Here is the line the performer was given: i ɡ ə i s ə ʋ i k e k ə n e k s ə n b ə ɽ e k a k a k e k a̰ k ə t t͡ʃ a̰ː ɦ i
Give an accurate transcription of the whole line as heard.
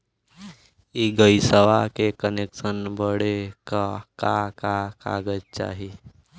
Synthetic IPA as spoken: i ɡ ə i s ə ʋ a k e k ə n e k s ə n b ə ɽ e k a k a k a k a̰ ɡ ə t t͡ʃ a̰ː ɦ i